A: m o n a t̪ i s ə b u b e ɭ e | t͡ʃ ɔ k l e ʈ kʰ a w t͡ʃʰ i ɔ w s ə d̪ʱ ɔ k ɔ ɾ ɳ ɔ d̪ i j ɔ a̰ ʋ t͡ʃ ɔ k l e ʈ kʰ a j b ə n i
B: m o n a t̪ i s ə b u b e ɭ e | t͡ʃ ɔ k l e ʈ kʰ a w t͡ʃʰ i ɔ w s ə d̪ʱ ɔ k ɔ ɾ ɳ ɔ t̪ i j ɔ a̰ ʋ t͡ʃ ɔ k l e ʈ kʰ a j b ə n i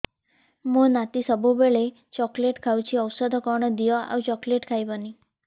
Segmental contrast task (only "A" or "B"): A